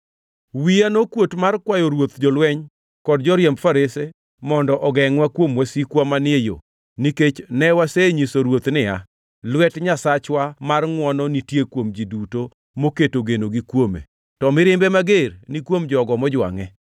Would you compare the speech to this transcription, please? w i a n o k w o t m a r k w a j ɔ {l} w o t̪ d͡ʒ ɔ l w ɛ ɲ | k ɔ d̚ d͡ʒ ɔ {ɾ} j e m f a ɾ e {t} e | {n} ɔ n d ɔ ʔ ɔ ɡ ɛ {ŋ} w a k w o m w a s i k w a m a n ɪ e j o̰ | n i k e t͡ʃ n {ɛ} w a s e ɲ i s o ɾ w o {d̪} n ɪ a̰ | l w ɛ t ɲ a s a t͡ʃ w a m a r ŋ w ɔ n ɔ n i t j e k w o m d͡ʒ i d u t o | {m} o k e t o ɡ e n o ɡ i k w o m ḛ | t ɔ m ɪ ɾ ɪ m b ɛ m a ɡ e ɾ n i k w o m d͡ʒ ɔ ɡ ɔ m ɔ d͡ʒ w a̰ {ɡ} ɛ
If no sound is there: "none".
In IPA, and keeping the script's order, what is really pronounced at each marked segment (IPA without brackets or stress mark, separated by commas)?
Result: ɾ, ɾ, s, m, ŋ, ɛ, t̪, m, ŋ